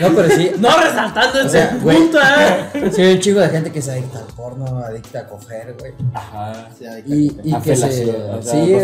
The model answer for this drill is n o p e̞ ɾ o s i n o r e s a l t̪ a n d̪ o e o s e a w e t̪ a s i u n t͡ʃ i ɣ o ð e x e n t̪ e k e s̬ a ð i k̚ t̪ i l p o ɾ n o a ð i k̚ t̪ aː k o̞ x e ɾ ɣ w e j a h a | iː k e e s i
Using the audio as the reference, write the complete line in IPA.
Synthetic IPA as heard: n o p e̞ ɾ o s i n o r e s a l t̪ a n d̪ o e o s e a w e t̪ a s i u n t͡ʃ i ɣ o ð e x e n t̪ e k e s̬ a ð i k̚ t̪ a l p o ɾ n o a ð i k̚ t̪ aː k o̞ x e ɾ ɣ w e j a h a | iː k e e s i